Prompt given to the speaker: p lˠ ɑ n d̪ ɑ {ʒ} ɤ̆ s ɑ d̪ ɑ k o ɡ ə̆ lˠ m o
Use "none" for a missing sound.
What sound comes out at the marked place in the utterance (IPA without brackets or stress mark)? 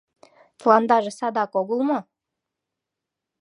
ʒ